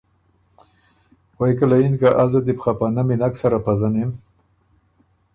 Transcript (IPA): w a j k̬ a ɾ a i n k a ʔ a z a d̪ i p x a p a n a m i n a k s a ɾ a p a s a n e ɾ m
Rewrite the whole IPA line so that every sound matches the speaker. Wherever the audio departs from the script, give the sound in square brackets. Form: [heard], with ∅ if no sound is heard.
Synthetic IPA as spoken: w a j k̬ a [l] a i n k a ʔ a z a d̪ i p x a p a n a m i n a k s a ɾ a p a [z] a n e [∅] m